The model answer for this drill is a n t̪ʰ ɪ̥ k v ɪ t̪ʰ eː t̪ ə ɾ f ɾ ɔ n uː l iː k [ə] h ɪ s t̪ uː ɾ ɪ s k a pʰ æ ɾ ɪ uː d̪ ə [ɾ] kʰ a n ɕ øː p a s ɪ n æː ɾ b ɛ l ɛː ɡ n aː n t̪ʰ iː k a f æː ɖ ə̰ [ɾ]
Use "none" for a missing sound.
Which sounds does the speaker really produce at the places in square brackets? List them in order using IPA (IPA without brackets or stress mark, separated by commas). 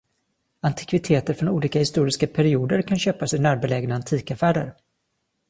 a, ɾ, ɾ